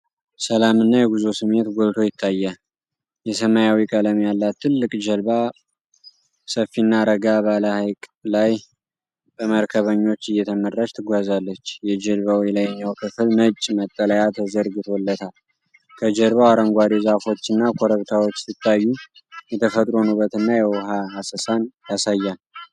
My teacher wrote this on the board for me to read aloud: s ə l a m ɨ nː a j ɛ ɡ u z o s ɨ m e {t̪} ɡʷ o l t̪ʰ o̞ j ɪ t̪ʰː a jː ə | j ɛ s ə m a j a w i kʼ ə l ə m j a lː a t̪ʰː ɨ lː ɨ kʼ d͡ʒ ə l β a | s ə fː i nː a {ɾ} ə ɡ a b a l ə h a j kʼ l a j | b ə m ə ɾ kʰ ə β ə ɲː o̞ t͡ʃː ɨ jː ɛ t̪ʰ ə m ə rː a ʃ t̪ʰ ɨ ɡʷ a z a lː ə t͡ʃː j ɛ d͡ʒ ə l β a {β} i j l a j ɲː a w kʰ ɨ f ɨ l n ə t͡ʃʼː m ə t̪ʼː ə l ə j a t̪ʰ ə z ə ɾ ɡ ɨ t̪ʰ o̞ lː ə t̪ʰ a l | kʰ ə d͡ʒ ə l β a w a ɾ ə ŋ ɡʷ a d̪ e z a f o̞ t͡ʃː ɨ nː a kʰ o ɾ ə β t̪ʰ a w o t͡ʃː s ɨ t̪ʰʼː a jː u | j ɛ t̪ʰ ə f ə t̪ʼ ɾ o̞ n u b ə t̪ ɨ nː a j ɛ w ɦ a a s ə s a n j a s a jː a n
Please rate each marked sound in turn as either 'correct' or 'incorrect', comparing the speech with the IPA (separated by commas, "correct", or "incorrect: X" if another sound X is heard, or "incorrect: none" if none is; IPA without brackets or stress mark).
correct, correct, incorrect: w